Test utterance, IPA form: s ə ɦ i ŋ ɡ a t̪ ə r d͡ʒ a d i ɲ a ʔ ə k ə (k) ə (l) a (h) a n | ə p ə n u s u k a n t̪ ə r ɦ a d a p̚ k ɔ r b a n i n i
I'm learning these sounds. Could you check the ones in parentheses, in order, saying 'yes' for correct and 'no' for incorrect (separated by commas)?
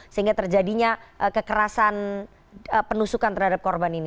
yes, no, no